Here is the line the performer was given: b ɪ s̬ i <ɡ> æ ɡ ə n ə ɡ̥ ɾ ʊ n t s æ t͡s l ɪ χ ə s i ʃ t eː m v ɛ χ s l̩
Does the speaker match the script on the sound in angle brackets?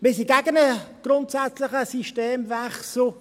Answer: yes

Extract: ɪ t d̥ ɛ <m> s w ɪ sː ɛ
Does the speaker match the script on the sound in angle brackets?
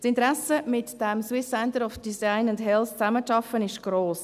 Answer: yes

